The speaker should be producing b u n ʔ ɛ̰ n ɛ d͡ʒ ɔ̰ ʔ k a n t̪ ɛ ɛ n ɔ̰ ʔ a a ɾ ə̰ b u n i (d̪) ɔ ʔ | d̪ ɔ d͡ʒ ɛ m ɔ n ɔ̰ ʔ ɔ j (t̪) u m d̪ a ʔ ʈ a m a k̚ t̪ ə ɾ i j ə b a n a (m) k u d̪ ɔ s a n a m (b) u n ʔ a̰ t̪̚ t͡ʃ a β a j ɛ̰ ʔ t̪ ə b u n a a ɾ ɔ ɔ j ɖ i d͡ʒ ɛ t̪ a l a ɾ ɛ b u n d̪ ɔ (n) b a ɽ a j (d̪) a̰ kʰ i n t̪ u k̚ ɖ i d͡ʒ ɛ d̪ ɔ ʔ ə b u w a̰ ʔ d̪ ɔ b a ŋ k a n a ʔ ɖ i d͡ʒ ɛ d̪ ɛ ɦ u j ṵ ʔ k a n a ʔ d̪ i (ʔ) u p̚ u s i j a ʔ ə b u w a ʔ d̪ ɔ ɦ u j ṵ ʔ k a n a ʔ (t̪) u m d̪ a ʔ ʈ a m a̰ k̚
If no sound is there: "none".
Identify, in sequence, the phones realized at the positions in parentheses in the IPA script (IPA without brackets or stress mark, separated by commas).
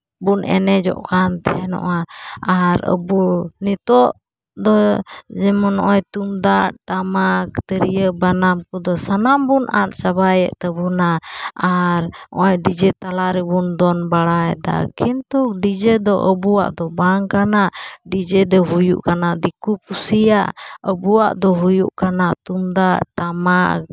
t̪, t̪, m, b, n, d̪, k, t̪